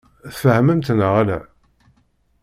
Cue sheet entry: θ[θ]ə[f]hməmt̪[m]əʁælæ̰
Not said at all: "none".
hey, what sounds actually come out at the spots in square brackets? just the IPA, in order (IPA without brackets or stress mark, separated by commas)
f, none, n